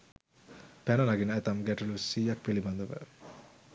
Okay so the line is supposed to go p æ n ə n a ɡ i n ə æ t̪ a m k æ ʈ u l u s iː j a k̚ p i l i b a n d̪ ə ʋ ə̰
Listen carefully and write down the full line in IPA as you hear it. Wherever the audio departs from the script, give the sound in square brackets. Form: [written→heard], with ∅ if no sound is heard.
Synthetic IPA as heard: p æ n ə n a ɡ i n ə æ t̪ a m [k→ɡ] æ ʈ u l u s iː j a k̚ p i l i b a n d̪ ə ʋ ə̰